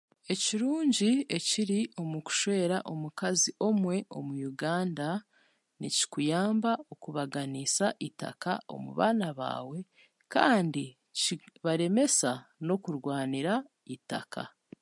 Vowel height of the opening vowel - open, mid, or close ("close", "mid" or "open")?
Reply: mid